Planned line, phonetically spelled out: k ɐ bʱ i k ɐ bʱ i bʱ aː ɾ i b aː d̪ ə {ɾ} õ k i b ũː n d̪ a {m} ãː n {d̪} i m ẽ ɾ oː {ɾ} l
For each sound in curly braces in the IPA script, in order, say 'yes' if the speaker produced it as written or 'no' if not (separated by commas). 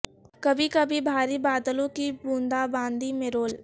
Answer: no, no, yes, no